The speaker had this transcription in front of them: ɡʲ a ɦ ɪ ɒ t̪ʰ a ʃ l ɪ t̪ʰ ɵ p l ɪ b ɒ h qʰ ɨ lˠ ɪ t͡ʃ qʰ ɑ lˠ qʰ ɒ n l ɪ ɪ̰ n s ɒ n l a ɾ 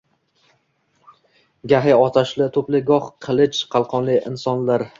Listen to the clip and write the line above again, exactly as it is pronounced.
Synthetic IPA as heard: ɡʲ a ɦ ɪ ɒ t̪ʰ a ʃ l ɪ t̪ʰ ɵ p l ɪ ɡ ɒ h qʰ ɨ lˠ ɪ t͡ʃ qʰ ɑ lˠ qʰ ɒ n l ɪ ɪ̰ n s ɒ n l a ɾ